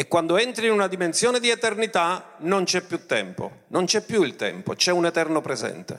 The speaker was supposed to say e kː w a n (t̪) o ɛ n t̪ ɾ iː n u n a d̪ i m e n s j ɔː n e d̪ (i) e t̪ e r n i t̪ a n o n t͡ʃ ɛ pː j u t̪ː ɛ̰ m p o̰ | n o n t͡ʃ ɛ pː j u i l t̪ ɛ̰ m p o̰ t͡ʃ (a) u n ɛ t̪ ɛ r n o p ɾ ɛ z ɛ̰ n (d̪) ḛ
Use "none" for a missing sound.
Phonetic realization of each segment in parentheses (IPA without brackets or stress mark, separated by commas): d̪, i, ɛ, t̪